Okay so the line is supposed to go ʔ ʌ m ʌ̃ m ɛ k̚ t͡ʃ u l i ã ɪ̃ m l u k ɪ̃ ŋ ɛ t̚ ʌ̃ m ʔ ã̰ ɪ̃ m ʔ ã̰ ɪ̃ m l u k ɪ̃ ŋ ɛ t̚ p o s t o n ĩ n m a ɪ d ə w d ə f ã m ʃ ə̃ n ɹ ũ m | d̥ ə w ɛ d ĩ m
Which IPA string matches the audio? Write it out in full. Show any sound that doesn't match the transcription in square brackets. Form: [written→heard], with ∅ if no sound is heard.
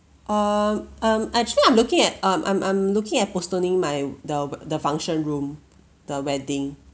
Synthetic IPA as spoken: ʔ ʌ m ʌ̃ m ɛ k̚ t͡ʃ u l i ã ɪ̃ m l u k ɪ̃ ŋ ɛ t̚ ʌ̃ m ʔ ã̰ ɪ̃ m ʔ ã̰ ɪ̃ m l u k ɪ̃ ŋ ɛ t̚ p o s t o n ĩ [n→ŋ] m a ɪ d ə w d ə f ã [m→ŋ] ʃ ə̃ n ɹ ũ m | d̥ ə w ɛ d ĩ [m→ŋ]